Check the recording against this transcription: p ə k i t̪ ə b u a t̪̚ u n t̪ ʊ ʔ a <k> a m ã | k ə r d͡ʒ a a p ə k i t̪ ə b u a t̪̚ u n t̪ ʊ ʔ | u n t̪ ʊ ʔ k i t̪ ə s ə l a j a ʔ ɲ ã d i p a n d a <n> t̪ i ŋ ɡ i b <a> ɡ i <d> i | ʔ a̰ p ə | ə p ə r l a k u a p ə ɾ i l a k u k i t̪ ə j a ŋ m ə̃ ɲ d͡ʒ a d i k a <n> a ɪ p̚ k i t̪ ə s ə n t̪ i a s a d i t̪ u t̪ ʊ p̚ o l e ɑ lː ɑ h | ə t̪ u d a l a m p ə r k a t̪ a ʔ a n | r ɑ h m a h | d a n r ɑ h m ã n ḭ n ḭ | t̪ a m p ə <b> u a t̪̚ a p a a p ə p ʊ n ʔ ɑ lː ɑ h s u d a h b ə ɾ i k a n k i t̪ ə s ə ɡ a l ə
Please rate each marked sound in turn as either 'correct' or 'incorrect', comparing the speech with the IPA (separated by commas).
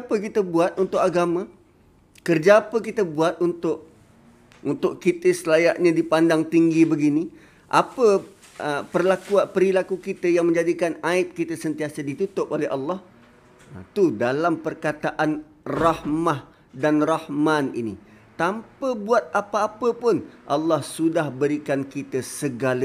incorrect, incorrect, incorrect, incorrect, correct, correct